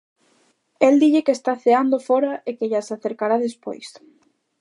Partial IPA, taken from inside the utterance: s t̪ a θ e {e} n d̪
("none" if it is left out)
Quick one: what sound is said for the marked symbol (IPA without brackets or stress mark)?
a